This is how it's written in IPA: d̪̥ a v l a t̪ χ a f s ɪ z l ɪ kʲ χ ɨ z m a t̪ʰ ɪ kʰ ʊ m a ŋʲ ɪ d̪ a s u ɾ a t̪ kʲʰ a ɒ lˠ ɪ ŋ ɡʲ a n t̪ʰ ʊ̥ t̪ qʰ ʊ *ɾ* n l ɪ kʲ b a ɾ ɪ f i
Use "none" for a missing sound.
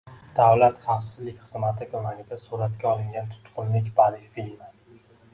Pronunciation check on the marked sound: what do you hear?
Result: none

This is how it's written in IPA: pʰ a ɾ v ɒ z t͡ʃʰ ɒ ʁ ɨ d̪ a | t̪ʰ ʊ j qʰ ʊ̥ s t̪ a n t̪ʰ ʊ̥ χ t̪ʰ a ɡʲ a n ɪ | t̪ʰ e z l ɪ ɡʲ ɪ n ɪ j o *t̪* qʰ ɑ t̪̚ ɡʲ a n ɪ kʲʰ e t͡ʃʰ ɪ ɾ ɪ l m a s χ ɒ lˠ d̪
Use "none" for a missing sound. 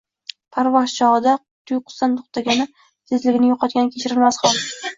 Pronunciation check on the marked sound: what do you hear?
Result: none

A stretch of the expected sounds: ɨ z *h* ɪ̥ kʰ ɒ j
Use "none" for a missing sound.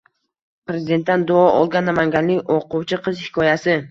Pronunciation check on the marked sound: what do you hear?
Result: h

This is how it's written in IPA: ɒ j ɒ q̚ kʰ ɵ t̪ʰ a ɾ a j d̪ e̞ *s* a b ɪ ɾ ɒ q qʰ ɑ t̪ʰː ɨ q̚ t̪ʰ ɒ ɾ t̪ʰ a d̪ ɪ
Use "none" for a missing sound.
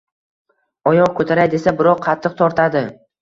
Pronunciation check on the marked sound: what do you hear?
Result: s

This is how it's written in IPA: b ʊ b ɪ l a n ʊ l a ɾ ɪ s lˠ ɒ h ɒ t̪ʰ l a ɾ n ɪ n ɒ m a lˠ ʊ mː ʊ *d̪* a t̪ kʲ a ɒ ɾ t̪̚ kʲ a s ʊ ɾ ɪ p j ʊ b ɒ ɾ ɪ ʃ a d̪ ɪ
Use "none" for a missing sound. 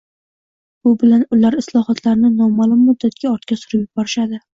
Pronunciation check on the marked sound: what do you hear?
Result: d̪ː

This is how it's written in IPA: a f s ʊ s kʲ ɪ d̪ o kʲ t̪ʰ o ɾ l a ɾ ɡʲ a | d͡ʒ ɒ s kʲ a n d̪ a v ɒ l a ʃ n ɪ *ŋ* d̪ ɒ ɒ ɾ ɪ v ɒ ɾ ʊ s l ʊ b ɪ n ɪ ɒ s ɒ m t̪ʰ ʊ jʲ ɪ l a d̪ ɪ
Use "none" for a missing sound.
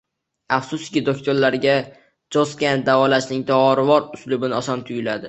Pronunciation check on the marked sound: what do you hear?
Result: ŋ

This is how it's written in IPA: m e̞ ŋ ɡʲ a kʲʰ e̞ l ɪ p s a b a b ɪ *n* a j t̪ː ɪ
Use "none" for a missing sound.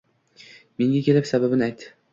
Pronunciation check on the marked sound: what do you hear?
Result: n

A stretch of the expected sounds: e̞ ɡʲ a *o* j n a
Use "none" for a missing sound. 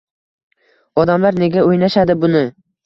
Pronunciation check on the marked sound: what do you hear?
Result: o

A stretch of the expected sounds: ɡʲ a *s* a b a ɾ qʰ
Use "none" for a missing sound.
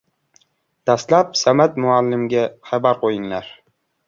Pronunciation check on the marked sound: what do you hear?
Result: χ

